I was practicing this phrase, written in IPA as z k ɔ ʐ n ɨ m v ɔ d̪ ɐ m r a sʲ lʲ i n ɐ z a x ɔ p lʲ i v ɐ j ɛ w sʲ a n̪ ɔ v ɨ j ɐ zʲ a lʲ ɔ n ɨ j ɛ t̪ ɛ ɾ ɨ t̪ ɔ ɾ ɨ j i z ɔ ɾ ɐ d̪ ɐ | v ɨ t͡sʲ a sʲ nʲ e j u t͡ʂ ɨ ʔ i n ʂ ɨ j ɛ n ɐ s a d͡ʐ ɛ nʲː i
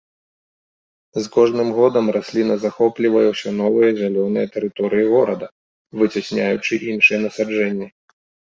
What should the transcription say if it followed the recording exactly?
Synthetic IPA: z k ɔ ʐ n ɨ m ɣ ɔ d̪ ɐ m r a sʲ lʲ i n ɐ z a x ɔ p lʲ i v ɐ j ɛ w sʲ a n̪ ɔ v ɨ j ɐ zʲ a lʲ ɔ n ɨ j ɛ t̪ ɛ ɾ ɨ t̪ ɔ ɾ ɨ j i ɣ ɔ ɾ ɐ d̪ ɐ | v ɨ t͡sʲ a sʲ nʲ a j u t͡ʂ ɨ ʔ i n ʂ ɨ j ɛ n ɐ s a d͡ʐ ɛ nʲː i